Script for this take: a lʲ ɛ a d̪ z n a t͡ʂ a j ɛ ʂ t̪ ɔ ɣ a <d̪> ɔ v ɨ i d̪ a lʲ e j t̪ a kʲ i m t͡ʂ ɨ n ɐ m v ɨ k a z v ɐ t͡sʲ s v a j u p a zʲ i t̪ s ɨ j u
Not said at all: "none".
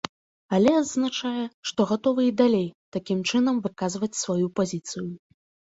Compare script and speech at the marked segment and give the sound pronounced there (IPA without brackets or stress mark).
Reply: t̪